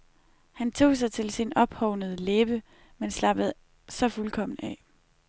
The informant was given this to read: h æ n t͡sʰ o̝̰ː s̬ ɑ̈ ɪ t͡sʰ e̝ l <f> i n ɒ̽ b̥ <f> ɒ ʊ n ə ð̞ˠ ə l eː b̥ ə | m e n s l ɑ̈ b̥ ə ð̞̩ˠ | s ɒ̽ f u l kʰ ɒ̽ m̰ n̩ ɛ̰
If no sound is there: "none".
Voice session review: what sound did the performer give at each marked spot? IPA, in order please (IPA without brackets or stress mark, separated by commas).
s, h